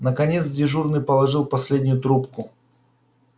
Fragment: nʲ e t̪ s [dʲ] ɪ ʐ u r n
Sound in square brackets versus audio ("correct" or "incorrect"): correct